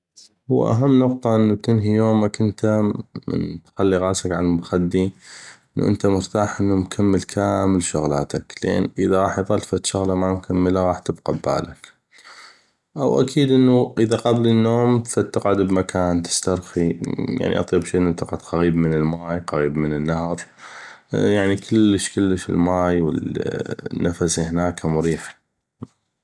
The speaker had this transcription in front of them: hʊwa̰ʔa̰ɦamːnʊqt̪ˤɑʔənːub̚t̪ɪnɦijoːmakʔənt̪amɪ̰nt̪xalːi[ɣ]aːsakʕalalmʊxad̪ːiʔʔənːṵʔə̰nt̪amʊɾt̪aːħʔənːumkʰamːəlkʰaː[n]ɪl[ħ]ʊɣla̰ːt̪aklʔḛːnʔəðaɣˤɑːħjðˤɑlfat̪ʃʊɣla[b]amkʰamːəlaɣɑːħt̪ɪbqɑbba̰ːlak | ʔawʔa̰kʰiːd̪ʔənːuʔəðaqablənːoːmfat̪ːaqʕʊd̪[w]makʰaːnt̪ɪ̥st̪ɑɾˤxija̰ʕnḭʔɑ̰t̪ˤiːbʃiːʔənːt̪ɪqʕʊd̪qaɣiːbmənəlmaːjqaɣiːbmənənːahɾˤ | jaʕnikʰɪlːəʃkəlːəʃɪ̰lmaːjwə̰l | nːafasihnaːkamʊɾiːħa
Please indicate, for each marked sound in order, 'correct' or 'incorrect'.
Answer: correct, incorrect, incorrect, incorrect, incorrect

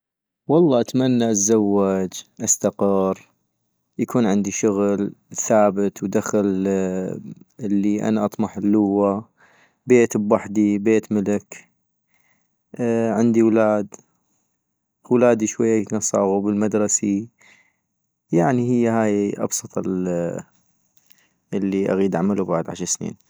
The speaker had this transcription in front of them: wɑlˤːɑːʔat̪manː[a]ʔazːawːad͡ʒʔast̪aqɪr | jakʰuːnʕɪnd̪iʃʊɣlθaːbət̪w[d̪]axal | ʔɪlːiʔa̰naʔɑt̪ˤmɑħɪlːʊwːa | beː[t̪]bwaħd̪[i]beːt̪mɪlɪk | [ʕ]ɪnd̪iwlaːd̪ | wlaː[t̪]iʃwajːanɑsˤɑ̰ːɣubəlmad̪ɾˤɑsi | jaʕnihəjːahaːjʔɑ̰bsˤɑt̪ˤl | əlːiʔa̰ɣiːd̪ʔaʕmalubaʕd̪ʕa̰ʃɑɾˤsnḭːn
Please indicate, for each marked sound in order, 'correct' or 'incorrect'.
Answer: correct, correct, correct, correct, correct, incorrect

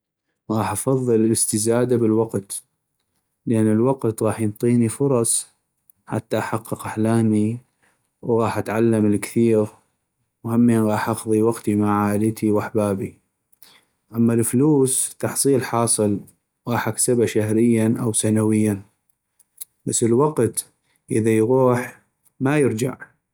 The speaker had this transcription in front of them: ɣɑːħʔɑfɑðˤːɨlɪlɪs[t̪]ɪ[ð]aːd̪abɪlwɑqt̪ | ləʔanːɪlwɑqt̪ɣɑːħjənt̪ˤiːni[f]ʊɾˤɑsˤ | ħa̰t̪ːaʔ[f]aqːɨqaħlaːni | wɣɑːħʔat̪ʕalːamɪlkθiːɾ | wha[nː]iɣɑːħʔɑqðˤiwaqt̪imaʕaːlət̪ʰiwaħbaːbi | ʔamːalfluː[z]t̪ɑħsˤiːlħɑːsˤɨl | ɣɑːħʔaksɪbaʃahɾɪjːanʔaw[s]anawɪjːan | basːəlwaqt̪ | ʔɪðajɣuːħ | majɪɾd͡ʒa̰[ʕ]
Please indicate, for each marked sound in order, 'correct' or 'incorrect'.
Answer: correct, incorrect, correct, incorrect, incorrect, incorrect, correct, correct

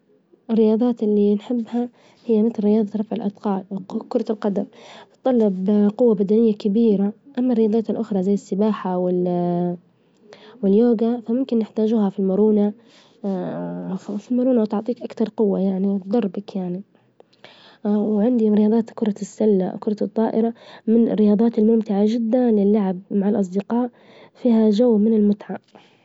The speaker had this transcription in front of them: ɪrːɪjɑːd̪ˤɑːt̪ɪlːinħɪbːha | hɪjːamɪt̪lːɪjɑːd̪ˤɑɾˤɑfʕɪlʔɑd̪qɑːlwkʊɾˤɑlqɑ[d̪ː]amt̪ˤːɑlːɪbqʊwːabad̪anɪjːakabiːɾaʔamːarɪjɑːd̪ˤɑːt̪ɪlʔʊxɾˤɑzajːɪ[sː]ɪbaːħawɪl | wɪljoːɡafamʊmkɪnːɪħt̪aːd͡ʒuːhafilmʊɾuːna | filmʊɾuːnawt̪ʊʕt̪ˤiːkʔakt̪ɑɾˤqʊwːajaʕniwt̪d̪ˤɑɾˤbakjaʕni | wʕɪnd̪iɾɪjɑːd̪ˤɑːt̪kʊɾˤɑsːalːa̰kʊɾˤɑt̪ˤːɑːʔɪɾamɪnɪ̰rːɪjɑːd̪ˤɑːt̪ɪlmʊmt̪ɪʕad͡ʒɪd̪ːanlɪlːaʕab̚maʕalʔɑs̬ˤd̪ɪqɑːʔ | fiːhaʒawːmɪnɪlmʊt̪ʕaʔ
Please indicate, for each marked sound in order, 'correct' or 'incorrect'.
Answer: incorrect, correct

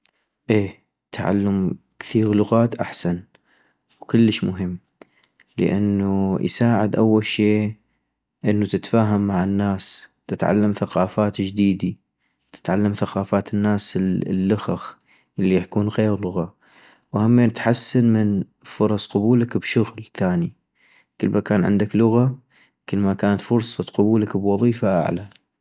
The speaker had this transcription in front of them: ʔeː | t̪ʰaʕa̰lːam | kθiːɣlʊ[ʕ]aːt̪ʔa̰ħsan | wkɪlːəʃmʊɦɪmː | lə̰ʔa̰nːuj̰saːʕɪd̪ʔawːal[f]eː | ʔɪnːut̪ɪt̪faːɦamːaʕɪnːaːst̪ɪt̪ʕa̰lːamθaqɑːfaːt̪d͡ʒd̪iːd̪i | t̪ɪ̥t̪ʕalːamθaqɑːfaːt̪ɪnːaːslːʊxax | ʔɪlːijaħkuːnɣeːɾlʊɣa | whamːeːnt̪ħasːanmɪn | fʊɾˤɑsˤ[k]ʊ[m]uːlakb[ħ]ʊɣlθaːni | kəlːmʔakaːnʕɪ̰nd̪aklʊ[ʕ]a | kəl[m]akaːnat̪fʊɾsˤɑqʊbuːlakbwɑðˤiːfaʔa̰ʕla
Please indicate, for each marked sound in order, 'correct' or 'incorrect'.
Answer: incorrect, incorrect, incorrect, incorrect, incorrect, incorrect, correct

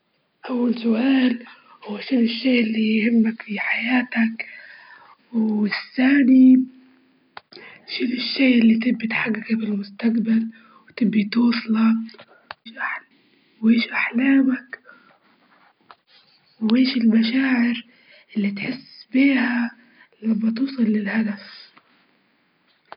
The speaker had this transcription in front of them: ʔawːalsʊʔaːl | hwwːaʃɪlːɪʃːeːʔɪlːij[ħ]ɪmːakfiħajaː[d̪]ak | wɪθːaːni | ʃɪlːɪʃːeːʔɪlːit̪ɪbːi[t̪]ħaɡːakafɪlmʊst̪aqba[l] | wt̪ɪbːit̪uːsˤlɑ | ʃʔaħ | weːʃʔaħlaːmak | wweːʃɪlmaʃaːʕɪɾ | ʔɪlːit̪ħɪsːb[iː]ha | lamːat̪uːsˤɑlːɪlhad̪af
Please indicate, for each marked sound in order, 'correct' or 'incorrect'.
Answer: incorrect, incorrect, correct, correct, correct

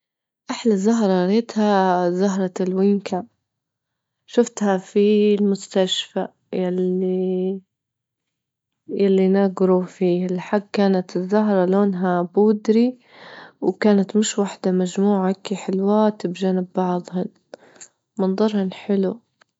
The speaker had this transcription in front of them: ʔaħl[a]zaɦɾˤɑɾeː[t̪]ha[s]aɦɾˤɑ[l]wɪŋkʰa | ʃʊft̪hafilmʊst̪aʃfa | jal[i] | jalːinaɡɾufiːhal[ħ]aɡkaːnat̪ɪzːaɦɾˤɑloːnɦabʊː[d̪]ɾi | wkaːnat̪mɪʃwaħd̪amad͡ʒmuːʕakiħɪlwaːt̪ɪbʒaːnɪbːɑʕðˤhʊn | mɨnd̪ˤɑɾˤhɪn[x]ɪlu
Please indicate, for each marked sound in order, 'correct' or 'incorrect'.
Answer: correct, correct, incorrect, correct, correct, correct, correct, incorrect

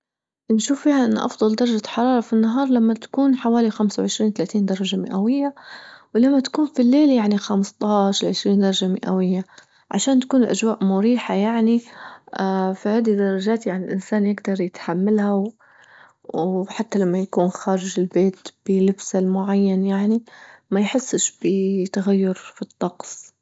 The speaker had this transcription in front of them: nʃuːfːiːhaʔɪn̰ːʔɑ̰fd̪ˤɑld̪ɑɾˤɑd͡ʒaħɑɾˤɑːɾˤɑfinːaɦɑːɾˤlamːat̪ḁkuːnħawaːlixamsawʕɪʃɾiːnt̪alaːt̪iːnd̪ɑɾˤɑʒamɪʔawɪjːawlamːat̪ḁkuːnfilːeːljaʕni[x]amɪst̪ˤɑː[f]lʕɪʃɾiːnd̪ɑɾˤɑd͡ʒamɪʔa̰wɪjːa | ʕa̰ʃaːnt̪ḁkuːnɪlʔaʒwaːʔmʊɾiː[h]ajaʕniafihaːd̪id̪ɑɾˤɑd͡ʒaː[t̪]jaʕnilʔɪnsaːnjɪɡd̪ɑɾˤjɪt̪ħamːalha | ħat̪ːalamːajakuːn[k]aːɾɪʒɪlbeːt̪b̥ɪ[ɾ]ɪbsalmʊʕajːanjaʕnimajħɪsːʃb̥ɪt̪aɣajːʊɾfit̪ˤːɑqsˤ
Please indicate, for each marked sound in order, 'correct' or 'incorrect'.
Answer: correct, incorrect, incorrect, correct, incorrect, incorrect

